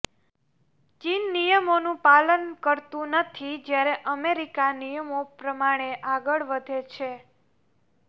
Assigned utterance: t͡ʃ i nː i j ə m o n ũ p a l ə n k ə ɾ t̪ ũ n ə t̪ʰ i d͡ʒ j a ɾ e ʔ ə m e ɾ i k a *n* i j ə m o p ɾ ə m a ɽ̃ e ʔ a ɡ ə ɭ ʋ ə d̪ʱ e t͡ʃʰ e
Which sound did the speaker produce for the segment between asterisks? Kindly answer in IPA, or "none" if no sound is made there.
n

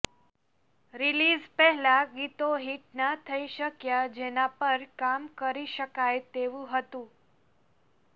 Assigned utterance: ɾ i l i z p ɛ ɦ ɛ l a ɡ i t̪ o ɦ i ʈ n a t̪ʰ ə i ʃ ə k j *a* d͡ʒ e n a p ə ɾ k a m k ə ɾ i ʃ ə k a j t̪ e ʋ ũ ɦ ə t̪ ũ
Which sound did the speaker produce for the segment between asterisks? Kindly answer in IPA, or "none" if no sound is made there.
a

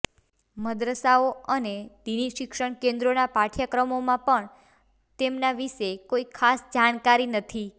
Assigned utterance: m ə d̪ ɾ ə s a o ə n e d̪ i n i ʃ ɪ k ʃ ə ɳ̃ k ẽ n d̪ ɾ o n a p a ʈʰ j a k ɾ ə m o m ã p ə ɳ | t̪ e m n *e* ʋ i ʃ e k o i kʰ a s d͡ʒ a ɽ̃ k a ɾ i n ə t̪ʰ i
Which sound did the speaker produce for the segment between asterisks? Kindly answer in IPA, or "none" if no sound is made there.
a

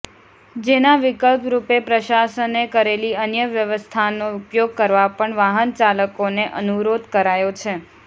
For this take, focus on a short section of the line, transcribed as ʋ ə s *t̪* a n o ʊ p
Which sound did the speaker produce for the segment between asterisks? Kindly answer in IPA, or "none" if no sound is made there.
t̪ʰ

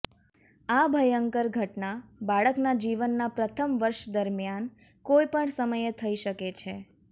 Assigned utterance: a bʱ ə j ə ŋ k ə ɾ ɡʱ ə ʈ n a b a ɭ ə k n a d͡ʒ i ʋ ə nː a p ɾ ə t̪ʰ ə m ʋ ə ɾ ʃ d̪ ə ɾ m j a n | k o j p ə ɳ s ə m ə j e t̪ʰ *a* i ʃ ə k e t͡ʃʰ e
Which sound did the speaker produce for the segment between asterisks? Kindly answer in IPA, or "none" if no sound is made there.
ə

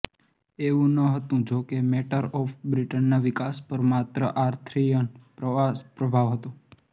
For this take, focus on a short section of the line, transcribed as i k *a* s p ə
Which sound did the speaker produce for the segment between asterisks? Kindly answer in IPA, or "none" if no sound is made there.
a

